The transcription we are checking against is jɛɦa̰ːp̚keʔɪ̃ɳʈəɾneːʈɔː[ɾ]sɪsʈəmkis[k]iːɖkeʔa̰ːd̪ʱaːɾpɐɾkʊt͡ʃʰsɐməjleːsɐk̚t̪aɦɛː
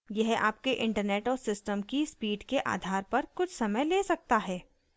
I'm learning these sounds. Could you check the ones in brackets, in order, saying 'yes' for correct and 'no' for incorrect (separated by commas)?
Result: yes, no